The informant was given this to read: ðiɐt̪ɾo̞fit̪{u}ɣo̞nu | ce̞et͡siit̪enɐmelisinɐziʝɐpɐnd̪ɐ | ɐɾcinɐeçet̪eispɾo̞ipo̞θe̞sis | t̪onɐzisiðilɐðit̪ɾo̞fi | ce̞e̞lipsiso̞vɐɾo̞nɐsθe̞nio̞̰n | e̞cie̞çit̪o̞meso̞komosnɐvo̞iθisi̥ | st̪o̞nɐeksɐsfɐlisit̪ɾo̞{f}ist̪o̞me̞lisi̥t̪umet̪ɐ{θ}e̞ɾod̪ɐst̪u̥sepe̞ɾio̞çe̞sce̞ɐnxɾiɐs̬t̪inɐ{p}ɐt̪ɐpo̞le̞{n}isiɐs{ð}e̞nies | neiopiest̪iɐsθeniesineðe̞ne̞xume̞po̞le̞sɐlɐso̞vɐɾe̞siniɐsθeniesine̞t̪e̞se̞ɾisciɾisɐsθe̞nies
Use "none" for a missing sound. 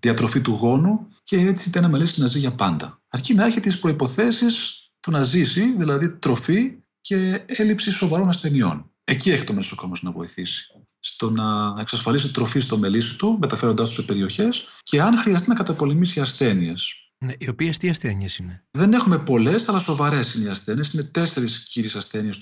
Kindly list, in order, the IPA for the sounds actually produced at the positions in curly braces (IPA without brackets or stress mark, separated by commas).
u, f, f, k, m, θ